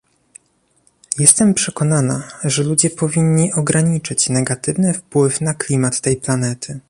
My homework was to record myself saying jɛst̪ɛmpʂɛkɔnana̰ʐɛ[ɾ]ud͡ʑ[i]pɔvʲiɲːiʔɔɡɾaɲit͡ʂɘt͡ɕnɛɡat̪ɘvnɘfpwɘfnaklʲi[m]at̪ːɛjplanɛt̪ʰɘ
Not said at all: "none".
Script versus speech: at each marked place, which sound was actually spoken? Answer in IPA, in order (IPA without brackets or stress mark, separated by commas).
l, ɛ, m